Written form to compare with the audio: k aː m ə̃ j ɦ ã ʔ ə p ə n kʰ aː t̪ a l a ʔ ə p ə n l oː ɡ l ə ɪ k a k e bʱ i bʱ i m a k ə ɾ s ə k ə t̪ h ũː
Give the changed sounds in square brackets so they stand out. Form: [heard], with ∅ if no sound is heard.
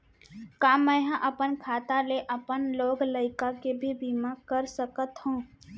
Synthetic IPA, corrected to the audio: k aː m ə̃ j ɦ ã ʔ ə p ə n kʰ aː t̪ a l [e] ʔ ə p ə n l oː ɡ l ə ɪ k a k e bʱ i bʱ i m a k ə ɾ s ə k ə t̪ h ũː